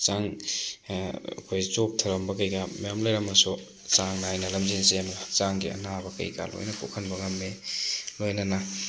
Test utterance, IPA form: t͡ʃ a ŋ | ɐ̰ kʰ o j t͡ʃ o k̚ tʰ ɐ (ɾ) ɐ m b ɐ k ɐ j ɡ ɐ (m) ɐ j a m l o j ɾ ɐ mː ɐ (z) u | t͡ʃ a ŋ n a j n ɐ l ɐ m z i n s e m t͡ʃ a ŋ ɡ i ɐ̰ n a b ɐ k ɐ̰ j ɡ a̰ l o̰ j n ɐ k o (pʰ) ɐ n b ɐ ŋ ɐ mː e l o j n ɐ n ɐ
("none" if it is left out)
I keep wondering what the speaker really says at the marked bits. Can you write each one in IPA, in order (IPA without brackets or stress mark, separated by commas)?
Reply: ɾ, m, s, kʰ